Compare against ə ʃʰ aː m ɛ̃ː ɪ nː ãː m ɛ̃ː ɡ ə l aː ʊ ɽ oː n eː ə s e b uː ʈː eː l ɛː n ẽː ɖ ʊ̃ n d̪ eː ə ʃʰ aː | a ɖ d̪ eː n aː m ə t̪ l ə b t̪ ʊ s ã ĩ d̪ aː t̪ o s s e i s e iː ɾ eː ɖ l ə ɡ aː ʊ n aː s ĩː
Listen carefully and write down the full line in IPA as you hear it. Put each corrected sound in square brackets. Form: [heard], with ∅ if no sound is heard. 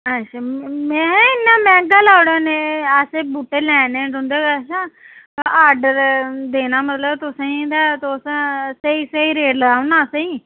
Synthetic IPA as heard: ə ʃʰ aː m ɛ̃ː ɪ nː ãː m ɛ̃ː ɡ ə l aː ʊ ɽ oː n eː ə s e b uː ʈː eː l ɛː n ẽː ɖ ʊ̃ n d̪ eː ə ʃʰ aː | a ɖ d̪ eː n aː m ə t̪ l ə b t̪ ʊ s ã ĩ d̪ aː t̪ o s s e i s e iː ɾ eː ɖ l ə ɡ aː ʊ n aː s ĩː